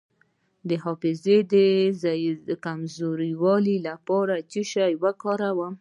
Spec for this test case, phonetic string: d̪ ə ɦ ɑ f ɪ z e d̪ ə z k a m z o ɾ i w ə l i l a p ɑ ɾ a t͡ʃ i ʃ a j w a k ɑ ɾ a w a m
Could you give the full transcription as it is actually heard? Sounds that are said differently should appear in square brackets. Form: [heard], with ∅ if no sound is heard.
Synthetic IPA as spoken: d̪ ə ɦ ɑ f ɪ z e d̪ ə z k a m z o ɾ i w [ɑ] l i l a p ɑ ɾ a t͡ʃ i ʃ a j w a k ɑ ɾ a w a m

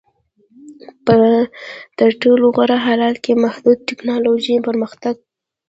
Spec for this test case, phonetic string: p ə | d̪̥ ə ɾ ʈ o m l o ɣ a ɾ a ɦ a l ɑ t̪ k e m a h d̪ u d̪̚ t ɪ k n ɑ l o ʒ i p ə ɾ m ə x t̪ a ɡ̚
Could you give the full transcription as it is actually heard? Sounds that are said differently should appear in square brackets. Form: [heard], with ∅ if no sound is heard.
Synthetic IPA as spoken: p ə | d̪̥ ə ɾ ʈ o [∅] l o ɣ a ɾ a ɦ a l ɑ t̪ k e m a h d̪ u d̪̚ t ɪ k n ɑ l o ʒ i p ə ɾ m ə x t̪ a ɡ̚

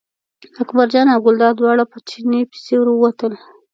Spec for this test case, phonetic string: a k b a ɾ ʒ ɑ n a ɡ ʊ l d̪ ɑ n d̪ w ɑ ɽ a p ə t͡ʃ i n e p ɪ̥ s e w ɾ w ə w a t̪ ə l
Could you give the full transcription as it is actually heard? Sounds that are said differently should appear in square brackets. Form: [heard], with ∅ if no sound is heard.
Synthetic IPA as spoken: a k b a ɾ [d͡ʒ] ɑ n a ɡ ʊ l d̪ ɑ [∅] d̪ w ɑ ɽ a p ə t͡ʃ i n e p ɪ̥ s e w ɾ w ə w a t̪ ə l

